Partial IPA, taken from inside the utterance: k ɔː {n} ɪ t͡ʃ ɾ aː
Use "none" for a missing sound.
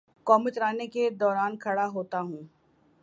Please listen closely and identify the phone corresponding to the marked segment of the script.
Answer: m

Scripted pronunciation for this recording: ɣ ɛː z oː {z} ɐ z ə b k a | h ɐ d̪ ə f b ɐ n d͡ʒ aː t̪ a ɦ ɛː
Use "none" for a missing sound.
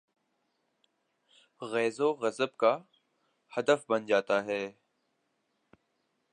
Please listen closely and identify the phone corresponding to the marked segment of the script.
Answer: ɣ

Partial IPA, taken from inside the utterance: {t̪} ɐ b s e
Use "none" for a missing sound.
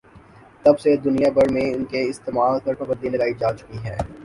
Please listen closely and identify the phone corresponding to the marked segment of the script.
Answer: t̪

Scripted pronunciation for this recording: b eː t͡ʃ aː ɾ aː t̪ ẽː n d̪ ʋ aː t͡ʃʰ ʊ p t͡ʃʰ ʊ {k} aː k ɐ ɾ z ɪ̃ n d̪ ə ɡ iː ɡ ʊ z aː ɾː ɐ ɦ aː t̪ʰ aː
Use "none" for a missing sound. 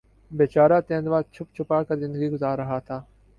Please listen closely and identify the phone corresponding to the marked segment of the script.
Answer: p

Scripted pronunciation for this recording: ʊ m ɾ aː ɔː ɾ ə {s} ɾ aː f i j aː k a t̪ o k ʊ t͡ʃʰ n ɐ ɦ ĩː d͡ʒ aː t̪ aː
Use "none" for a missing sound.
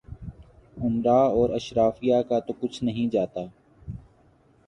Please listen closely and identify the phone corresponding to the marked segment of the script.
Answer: ʃ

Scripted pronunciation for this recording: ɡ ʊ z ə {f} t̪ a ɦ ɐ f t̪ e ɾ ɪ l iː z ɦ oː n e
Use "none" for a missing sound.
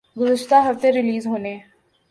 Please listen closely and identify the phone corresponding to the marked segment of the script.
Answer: ʃ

